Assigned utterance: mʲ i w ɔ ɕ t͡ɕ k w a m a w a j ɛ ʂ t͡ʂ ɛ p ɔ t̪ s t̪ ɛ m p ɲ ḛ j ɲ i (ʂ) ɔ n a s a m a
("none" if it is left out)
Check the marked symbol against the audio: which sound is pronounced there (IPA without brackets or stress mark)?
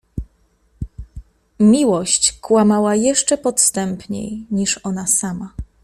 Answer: ʂ